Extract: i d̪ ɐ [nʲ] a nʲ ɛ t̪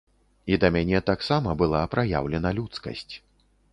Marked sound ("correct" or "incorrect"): incorrect